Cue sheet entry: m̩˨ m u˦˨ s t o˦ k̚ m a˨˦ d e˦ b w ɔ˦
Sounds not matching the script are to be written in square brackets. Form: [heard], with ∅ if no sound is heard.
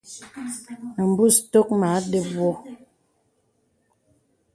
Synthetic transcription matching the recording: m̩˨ [b] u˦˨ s t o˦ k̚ m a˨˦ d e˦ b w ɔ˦